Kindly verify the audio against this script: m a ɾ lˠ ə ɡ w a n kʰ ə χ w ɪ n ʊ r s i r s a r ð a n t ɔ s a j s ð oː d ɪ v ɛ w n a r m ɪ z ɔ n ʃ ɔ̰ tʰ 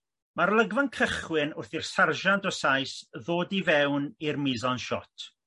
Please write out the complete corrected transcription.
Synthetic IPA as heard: m a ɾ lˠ ə ɡ v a n kʰ ə χ w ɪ n ʊ r θ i r s a r ʒ a n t ɔ s a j s ð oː d i v ɛ w n i r m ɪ z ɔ n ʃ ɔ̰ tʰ